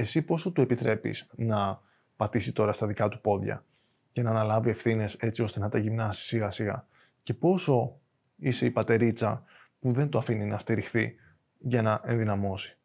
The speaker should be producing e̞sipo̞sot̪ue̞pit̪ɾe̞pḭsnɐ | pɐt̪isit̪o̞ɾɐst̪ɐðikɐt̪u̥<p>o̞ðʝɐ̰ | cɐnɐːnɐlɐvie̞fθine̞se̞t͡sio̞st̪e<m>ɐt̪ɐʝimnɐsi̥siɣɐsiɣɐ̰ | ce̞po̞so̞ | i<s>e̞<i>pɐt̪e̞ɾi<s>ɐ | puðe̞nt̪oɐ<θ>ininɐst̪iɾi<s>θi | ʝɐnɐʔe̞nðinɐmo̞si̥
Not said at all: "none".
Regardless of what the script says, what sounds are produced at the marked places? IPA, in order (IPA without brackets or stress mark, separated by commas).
p, n, s, i, t͡s, f, x